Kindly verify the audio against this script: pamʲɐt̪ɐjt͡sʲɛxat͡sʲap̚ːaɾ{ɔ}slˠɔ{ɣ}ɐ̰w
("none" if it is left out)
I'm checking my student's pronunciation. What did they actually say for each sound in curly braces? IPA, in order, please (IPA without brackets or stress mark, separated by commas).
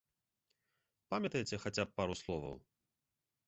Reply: u, v